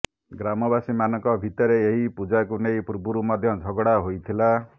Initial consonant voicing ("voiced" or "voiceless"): voiced